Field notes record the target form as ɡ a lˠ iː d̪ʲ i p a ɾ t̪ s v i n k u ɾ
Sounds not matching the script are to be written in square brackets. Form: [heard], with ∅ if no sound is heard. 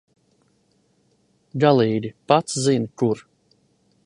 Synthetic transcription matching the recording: ɡ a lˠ iː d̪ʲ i p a [∅] t̪ s [z] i n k u ɾ